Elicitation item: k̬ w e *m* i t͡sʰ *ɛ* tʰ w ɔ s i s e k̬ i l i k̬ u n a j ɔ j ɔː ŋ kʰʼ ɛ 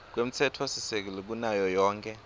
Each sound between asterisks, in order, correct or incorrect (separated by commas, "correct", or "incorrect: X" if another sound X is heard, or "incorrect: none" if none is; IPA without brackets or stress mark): correct, correct